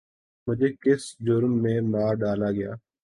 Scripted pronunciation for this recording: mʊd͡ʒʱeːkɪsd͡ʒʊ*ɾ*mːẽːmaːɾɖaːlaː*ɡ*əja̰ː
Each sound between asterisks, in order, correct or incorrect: correct, correct

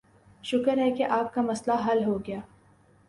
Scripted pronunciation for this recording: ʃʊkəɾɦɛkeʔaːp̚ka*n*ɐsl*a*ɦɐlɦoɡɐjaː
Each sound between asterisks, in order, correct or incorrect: incorrect: m, correct

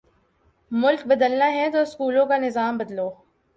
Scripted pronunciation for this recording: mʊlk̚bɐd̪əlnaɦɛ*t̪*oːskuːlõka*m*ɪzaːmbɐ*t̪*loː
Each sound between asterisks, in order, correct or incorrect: correct, incorrect: n, incorrect: d̪

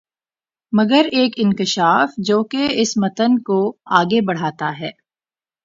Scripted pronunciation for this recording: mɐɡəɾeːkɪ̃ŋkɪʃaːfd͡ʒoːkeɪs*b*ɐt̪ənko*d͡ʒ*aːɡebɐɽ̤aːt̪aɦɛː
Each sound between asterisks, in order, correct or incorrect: incorrect: m, incorrect: none

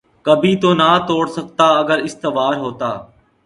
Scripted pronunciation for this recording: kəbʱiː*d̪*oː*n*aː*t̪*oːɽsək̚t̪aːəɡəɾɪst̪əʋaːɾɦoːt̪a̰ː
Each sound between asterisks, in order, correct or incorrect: incorrect: t̪, correct, correct

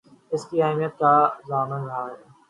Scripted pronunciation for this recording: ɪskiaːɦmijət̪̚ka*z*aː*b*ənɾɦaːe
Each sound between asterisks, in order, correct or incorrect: correct, incorrect: m

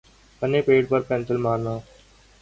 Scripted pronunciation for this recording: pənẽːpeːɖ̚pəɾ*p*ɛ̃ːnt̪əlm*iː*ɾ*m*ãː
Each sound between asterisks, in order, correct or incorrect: correct, incorrect: aː, incorrect: n

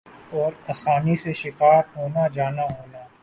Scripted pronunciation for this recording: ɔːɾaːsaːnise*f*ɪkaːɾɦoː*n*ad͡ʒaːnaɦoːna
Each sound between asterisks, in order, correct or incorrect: incorrect: ʃ, correct

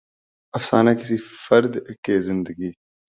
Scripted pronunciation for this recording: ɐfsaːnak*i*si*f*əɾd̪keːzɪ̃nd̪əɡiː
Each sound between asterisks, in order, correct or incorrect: incorrect: ɪ, correct

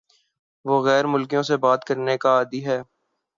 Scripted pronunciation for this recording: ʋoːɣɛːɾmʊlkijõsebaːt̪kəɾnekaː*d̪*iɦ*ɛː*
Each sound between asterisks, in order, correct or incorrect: correct, correct

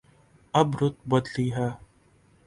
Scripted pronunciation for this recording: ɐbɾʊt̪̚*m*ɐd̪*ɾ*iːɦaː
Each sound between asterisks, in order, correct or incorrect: incorrect: b, incorrect: l

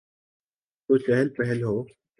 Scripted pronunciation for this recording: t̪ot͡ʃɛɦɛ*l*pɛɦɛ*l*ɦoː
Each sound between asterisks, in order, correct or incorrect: correct, correct

